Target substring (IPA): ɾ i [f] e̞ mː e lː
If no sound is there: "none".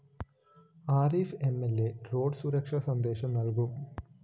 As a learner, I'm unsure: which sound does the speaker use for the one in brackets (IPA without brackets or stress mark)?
f